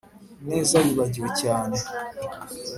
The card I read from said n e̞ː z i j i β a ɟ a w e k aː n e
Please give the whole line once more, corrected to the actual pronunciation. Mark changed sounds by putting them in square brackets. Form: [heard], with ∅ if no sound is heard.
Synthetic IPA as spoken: n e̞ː z [a] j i β a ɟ [i] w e [c] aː n e